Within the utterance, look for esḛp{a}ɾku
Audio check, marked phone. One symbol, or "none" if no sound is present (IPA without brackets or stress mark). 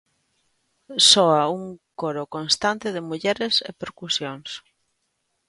e